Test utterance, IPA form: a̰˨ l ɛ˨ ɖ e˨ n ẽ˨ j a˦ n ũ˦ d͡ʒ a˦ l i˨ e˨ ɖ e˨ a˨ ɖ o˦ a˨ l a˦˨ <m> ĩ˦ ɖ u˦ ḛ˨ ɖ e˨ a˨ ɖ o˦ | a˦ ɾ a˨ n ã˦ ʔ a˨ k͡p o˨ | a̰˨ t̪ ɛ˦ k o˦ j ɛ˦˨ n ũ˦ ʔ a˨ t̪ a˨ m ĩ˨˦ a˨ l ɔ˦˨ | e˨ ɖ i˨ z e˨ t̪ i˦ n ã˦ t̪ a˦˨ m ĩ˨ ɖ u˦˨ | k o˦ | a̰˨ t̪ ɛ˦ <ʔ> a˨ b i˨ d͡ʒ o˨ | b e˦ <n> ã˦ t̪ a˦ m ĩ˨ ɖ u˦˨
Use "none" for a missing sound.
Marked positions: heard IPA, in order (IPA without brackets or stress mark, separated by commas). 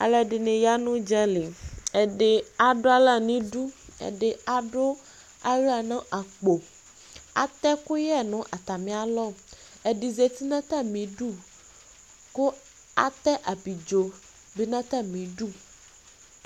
n, ʔ, n